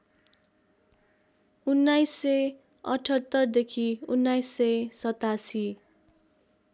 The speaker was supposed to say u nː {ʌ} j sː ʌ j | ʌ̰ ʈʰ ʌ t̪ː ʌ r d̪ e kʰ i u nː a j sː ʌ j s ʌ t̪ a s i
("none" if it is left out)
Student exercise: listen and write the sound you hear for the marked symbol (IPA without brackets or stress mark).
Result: a